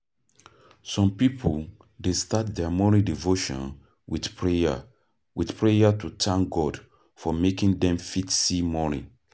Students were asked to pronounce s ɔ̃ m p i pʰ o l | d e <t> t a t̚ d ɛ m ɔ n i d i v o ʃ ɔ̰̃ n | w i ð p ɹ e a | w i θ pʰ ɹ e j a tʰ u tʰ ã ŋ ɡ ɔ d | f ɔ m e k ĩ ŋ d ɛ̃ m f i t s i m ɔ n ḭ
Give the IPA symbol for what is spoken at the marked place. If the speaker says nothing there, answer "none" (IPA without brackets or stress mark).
s